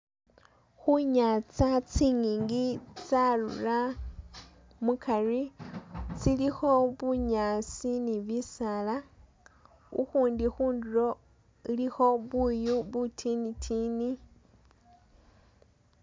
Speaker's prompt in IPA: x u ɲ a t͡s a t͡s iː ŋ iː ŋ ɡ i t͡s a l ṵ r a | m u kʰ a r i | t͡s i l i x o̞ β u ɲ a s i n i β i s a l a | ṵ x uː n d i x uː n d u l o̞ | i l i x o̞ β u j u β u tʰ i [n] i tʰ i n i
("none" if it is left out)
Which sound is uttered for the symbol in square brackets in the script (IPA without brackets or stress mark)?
n